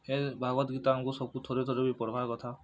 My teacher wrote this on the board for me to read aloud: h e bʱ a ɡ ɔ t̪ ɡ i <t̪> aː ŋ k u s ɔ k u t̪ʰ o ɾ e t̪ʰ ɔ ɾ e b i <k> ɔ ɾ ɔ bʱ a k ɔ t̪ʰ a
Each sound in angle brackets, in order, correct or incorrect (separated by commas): correct, incorrect